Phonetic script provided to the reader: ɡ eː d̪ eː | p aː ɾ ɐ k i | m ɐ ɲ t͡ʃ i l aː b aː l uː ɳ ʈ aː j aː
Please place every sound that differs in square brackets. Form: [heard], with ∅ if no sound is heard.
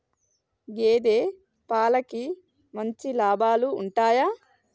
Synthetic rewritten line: ɡ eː d̪ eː | p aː [l] ɐ k i | m ɐ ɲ t͡ʃ i l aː b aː l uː ɳ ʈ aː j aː

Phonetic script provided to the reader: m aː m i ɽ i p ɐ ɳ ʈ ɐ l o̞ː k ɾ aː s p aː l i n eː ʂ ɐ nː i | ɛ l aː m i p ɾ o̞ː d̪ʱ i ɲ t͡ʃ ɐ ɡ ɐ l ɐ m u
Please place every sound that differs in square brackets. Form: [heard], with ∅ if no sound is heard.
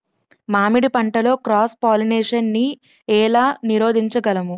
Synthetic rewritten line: m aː m i ɽ i p ɐ ɳ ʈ ɐ l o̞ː k ɾ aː s p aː l i n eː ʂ ɐ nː i | [ɛː] l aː [n] i [∅] ɾ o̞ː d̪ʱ i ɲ t͡ʃ ɐ ɡ ɐ l ɐ m u

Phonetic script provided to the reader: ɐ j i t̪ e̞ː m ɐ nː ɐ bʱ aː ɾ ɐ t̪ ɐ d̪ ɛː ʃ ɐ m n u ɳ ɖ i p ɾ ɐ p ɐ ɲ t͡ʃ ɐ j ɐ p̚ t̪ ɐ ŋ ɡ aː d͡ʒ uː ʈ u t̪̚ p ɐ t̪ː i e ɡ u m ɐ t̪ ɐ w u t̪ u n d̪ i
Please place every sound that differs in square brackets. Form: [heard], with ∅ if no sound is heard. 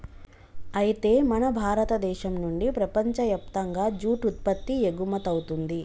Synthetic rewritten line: ɐ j i t̪ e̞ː m ɐ [n] ɐ bʱ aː ɾ ɐ t̪ ɐ d̪ ɛː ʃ ɐ m n u ɳ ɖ i p ɾ ɐ p ɐ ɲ t͡ʃ ɐ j ɐ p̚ t̪ ɐ ŋ ɡ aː d͡ʒ uː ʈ u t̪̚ p ɐ t̪ː i e ɡ u m ɐ t̪ ɐ w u t̪ u n d̪ i

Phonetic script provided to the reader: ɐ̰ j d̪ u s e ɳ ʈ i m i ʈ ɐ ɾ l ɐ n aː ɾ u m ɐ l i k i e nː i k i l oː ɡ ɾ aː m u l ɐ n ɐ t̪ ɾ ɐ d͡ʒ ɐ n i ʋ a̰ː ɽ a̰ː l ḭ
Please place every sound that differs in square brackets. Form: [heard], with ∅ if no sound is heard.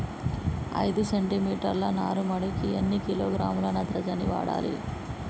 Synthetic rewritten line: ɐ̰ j d̪ u s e ɳ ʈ i m [iː] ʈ ɐ ɾ l ɐ n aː ɾ u m ɐ [ɽ] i k i e nː i k i l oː ɡ ɾ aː m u l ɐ n ɐ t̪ ɾ ɐ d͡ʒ ɐ n i ʋ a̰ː ɽ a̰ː l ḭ

